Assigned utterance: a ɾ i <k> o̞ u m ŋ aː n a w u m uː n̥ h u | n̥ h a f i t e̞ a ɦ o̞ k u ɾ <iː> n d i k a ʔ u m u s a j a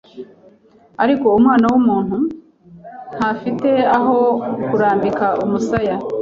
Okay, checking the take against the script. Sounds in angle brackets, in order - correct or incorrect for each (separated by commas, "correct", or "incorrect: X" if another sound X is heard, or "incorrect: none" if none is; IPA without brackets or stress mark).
correct, incorrect: aː